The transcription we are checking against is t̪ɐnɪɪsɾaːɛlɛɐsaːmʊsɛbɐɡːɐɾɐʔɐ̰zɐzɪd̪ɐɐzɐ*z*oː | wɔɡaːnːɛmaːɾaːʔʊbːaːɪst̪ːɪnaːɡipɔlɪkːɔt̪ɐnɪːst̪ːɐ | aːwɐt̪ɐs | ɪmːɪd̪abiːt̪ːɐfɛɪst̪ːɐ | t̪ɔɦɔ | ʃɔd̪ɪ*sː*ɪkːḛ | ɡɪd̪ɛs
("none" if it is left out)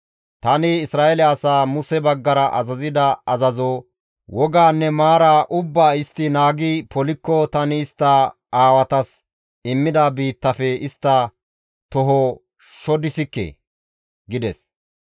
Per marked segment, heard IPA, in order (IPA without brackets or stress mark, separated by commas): z, s